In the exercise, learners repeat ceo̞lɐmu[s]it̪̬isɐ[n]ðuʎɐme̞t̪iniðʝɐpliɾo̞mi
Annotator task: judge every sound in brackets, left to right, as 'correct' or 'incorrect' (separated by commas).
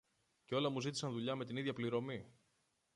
incorrect, correct